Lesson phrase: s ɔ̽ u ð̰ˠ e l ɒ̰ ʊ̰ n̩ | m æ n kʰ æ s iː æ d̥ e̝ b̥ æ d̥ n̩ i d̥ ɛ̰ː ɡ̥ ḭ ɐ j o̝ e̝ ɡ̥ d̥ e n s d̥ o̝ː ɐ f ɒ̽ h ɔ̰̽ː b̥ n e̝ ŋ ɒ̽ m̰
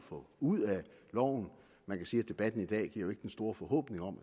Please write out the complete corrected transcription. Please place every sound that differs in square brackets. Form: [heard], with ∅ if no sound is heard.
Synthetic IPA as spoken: [f] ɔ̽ u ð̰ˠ [æ] l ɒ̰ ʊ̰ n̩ | m æ n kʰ æ s iː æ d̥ e̝ b̥ æ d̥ n̩ i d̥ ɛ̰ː ɡ̥ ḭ ɐ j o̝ e̝ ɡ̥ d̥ e n s d̥ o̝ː ɐ f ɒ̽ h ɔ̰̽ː b̥ n e̝ ŋ ɒ̽ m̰